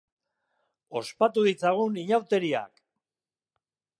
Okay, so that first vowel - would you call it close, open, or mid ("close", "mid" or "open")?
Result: mid